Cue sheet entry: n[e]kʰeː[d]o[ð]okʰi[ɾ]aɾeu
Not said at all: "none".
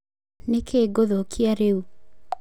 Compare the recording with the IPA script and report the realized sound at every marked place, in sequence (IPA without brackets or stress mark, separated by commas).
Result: e, ɡ, ð, none